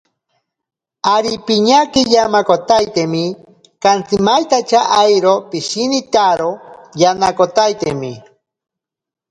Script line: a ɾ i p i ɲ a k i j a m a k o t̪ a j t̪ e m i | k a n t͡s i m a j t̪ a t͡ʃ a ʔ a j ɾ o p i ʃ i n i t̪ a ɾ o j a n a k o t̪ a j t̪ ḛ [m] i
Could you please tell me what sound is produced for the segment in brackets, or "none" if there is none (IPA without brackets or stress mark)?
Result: m